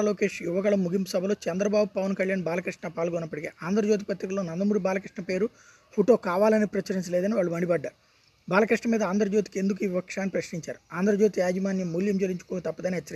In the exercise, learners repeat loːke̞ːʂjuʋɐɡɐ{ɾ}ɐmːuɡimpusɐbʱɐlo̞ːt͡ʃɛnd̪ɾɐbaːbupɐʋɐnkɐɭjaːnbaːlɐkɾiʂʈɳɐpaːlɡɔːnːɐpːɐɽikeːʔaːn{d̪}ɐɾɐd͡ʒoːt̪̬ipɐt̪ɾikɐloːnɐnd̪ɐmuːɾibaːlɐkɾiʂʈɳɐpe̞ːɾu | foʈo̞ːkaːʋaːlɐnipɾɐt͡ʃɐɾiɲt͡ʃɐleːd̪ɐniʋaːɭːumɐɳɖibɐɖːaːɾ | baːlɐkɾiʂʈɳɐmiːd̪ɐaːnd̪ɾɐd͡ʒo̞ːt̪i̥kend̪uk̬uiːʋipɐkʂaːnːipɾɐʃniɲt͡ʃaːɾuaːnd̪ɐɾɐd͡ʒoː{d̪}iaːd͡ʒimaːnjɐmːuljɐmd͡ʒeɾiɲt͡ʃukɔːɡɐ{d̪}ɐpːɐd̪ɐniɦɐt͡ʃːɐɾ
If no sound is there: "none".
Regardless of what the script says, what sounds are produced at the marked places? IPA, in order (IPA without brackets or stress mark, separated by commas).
ɭ, d̪, t̪, t̪